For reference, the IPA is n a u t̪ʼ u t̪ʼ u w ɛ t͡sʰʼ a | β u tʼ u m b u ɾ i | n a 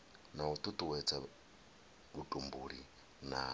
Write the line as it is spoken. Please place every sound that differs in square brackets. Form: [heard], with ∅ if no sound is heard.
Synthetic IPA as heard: n a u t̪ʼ u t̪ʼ u w ɛ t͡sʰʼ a | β u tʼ u m b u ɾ i | n a